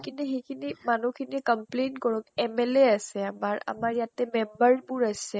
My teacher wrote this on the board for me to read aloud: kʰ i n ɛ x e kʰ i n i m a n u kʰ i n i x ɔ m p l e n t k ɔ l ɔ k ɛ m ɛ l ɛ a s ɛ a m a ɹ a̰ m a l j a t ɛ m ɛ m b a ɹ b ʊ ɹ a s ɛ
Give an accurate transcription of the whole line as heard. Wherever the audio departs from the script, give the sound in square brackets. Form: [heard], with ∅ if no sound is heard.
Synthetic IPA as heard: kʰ i n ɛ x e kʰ i n i m a n u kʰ i n i [k] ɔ m p l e n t k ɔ [ɹ] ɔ k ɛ m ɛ l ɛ a s ɛ a m a ɹ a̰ m a [ɹ] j a t ɛ m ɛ m b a ɹ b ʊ ɹ a s ɛ

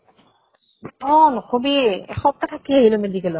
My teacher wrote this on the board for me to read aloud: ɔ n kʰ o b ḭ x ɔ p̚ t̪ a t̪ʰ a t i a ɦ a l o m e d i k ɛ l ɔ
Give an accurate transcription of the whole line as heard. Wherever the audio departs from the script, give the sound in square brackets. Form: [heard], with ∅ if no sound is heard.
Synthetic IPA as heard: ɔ n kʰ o b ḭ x ɔ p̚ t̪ a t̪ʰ a [k] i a ɦ [i] l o m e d i k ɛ l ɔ

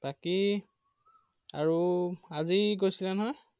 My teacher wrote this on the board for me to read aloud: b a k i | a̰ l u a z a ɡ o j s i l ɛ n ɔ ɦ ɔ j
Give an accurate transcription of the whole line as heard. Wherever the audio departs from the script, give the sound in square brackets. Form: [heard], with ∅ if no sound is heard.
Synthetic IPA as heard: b a k i | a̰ [ɹ] u a z [i] ɡ o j s i l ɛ n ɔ ɦ ɔ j

